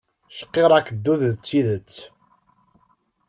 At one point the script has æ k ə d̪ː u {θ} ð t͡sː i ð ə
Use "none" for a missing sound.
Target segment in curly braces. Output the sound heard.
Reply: ð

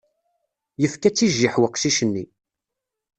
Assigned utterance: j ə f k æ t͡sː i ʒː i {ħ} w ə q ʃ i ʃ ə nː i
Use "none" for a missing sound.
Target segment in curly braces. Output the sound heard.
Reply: ħ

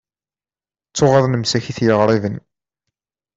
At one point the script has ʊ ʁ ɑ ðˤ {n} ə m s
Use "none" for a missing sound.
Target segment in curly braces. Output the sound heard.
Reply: n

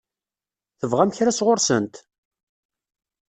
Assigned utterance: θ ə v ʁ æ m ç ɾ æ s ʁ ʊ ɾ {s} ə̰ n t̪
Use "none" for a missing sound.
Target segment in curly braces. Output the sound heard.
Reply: s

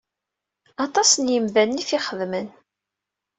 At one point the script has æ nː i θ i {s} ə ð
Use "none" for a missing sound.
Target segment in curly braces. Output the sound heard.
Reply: χ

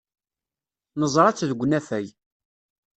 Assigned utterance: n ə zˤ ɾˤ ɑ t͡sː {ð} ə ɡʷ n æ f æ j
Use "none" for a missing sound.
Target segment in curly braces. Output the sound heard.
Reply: ð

